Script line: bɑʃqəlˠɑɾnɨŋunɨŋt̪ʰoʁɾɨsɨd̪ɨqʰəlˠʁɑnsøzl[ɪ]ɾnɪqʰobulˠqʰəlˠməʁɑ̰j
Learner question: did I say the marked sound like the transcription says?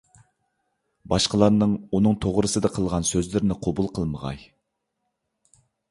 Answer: yes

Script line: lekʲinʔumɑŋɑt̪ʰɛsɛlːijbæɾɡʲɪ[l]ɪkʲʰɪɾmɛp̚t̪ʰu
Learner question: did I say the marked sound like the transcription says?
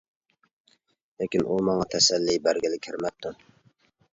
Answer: yes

